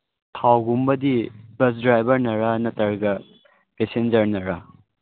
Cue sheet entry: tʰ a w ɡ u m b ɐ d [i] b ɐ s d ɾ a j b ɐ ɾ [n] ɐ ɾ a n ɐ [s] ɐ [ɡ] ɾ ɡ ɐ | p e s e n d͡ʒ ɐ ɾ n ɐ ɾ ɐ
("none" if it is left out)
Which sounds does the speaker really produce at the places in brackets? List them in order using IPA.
i, n, t, none

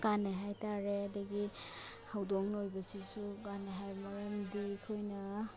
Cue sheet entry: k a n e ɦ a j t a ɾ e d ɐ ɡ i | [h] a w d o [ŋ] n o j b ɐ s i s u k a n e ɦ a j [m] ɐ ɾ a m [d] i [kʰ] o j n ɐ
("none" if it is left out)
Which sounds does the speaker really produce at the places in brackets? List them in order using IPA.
h, ŋ, m, d, kʰ

